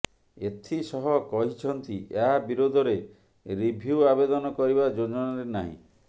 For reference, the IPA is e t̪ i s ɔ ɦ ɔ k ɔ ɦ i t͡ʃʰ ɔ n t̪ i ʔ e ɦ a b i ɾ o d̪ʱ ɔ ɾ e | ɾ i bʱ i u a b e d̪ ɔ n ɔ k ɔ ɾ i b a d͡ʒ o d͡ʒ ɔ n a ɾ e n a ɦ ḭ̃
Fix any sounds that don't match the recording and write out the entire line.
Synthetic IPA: e t̪ʰ i s ɔ ɦ ɔ k ɔ ɦ i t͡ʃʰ ɔ n t̪ i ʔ e ɦ a b i ɾ o d̪ʱ ɔ ɾ e | ɾ i bʱ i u a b e d̪ ɔ n ɔ k ɔ ɾ i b a d͡ʒ o d͡ʒ ɔ n a ɾ e n a ɦ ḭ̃